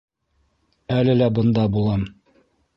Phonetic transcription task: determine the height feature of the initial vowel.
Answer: low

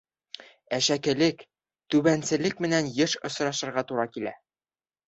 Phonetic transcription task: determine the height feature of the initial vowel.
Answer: low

